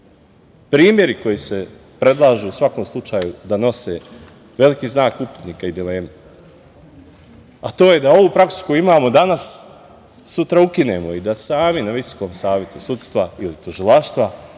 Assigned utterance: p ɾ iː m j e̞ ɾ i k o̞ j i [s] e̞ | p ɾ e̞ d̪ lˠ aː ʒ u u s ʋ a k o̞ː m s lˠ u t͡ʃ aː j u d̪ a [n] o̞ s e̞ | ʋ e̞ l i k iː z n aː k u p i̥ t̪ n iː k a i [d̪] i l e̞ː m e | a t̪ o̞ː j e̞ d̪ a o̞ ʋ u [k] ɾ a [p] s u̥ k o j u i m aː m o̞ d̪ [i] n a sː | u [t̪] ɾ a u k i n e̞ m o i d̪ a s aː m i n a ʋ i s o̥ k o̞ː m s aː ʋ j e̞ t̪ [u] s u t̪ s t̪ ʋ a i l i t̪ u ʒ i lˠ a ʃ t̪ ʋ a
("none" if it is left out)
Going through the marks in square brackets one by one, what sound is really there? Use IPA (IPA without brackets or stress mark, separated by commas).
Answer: s, n, d̪, p, k, a, t̪, u